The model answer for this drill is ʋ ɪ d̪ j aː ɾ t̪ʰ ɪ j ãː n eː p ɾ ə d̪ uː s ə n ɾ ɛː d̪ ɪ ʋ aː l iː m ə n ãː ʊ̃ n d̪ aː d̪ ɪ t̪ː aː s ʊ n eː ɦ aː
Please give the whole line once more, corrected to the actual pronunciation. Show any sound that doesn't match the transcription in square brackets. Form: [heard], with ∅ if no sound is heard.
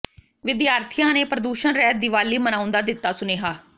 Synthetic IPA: ʋ ɪ d̪ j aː ɾ t̪ʰ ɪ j ãː n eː p ɾ ə d̪ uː [ʃ] ə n ɾ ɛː d̪ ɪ ʋ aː l iː m ə n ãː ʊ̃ n d̪ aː d̪ ɪ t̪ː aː s ʊ n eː ɦ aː